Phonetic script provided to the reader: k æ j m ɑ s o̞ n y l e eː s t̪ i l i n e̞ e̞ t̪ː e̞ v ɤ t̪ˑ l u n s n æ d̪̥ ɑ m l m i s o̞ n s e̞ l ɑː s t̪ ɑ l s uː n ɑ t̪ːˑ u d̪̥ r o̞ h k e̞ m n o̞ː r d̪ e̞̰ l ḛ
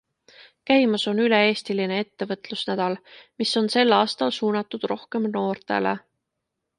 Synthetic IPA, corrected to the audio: k æ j m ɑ s o̞ n y l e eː s t̪ i l i n e̞ e̞ t̪ː e̞ v ɤ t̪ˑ l u s n æ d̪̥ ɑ l m i s o̞ n s e̞ l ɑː s t̪ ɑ l s uː n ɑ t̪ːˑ u d̪̥ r o̞ h k e̞ m n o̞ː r t̪ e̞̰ l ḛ